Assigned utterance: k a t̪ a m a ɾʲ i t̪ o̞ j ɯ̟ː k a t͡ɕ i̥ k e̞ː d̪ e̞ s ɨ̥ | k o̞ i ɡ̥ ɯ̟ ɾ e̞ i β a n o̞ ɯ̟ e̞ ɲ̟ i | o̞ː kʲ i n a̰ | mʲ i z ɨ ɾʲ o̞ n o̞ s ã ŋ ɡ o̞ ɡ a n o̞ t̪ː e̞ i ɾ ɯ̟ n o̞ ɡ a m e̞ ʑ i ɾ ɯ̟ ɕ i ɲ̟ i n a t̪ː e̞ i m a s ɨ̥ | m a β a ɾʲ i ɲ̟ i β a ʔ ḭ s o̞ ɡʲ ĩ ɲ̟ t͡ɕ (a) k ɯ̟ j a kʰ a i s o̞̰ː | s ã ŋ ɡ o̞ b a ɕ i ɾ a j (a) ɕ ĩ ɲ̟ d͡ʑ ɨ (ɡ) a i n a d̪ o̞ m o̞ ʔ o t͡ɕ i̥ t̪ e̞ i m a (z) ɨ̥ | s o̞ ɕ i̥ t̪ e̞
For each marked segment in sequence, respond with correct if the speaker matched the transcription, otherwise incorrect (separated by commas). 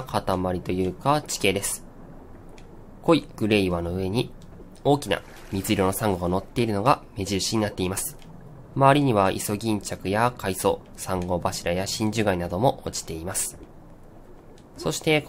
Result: correct, correct, correct, incorrect